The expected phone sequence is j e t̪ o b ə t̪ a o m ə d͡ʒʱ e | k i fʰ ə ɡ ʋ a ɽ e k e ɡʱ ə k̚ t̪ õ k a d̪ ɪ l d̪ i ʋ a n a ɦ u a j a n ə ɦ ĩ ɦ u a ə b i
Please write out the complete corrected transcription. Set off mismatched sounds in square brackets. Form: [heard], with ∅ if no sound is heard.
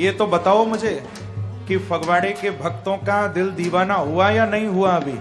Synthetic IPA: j e t̪ o b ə t̪ a o m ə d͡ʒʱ e | k i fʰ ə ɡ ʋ a ɽ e k e [bʱ] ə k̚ t̪ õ k a d̪ ɪ l d̪ i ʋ a n a ɦ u a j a n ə ɦ ĩ ɦ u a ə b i